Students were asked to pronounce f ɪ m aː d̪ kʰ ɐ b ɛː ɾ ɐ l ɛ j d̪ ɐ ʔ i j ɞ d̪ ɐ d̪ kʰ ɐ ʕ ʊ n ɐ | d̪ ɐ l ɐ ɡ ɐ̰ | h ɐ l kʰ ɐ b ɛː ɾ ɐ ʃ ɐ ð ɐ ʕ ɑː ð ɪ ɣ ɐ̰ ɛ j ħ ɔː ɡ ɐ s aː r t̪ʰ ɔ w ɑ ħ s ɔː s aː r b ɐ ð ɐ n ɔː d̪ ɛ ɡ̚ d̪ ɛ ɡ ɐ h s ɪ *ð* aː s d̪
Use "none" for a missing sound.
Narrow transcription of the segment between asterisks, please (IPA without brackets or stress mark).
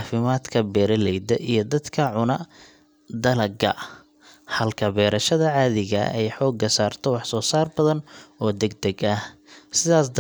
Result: ð